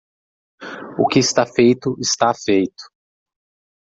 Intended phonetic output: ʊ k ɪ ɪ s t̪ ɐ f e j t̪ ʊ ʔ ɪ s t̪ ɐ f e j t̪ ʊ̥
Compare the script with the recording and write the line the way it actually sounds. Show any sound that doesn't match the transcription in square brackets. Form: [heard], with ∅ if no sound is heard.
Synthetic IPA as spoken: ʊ k ɪ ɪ s t̪ [a] f e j t̪ ʊ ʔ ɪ s t̪ [a] f e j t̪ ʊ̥

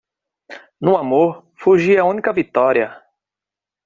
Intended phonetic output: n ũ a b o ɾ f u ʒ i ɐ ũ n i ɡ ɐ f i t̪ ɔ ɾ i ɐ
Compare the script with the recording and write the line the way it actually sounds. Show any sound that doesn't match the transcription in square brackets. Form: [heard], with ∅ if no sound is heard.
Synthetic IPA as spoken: n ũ a [m] o ɾ f u ʒ i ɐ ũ n i [k] ɐ [v] i t̪ ɔ ɾ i ɐ

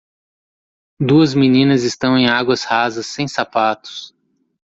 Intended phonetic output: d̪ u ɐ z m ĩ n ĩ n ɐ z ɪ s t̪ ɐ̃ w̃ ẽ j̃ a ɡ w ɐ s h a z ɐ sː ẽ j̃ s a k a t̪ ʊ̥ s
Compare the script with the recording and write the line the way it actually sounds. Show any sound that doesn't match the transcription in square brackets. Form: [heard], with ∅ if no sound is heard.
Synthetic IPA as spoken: d̪ u ɐ z m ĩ n ĩ n ɐ z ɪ s t̪ ɐ̃ w̃ ẽ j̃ a ɡ w ɐ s h a z ɐ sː ẽ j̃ s a [p] a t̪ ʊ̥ s

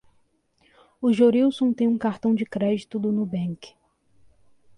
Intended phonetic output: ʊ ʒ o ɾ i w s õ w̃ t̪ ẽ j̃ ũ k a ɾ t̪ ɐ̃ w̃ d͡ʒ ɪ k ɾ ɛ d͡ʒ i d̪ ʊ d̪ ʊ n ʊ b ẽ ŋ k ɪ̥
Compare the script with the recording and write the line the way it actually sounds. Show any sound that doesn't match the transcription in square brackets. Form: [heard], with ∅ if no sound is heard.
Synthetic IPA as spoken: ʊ ʒ o ɾ i w s õ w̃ t̪ ẽ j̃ ũ k a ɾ t̪ ɐ̃ w̃ d͡ʒ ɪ k ɾ ɛ d͡ʒ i [t̪] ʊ d̪ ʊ n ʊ b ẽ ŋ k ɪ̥

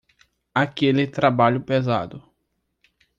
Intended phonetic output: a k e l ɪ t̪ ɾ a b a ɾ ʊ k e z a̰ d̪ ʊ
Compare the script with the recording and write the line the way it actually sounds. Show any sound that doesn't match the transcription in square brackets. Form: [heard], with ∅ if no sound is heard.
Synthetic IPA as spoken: a k e l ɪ t̪ ɾ a b a [ʎ] ʊ [p] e z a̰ d̪ ʊ

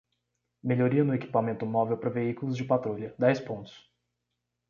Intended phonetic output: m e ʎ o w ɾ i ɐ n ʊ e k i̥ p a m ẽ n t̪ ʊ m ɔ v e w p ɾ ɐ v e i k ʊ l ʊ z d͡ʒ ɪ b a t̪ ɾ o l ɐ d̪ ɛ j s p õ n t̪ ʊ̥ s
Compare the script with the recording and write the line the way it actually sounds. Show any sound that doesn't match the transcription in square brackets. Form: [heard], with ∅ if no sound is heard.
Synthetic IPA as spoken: m e ʎ o [∅] ɾ i ɐ n ʊ e k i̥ p a m ẽ n t̪ ʊ m ɔ v e w p ɾ ɐ v e i k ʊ l ʊ z d͡ʒ ɪ [p] a t̪ ɾ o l ɐ d̪ ɛ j s p õ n t̪ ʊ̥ s

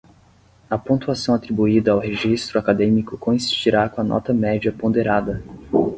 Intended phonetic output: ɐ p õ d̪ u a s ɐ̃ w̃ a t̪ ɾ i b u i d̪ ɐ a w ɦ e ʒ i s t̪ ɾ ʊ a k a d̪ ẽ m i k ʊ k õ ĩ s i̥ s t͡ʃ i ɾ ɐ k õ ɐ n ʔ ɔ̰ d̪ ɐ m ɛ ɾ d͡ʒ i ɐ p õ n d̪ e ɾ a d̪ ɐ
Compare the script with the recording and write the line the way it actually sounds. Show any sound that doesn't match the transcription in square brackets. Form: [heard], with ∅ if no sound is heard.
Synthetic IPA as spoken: ɐ p õ [t̪] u a s ɐ̃ w̃ a t̪ ɾ i b u i d̪ ɐ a w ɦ e ʒ i s t̪ ɾ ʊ a k a d̪ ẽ m i k ʊ k õ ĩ s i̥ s t͡ʃ i ɾ [a] k õ ɐ n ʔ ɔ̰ [t̪] ɐ m ɛ [∅] d͡ʒ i ɐ p õ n d̪ e ɾ a d̪ ɐ

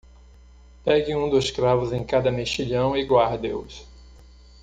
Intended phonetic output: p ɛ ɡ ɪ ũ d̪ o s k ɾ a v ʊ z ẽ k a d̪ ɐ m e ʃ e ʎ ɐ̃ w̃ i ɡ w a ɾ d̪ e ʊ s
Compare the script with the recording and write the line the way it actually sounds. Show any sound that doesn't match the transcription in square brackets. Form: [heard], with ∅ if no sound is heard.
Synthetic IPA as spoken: p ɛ ɡ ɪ ũ d̪ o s k ɾ a v ʊ z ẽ k a d̪ ɐ m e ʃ [i] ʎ ɐ̃ w̃ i ɡ w a ɾ d̪ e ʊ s

